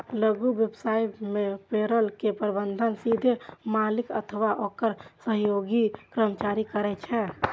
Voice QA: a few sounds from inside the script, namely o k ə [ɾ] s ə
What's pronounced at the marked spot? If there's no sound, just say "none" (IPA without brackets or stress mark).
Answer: ɾ